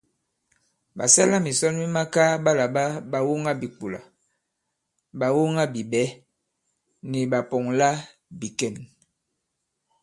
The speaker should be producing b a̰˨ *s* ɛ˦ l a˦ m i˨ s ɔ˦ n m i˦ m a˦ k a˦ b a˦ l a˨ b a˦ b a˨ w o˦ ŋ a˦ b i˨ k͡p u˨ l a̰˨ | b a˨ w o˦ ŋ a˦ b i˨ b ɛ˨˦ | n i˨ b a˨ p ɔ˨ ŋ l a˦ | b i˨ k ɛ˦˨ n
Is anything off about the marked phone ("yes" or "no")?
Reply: no